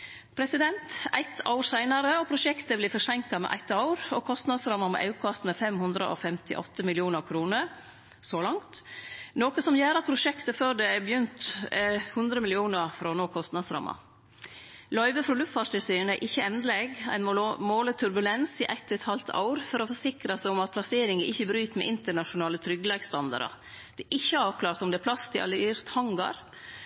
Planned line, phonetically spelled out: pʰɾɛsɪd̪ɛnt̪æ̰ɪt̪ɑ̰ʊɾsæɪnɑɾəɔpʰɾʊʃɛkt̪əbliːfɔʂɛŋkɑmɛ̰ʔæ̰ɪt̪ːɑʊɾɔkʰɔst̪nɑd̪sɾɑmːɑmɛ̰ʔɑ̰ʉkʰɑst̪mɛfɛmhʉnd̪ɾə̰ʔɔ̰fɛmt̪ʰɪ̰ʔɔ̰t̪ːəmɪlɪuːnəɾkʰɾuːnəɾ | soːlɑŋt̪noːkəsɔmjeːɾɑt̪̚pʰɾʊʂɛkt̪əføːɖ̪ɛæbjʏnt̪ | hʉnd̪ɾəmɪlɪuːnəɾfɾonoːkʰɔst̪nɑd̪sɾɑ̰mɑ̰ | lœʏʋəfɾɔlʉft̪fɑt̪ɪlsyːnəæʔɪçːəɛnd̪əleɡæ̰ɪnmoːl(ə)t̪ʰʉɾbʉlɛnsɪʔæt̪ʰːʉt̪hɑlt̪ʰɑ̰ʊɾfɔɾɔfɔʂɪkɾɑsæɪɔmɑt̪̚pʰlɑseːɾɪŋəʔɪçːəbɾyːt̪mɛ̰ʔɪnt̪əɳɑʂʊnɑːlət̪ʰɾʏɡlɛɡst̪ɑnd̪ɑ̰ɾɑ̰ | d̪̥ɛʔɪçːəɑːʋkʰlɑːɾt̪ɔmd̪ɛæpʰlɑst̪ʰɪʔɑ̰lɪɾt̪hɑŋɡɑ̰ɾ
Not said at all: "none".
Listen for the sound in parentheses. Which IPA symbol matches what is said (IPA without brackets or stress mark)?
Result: ə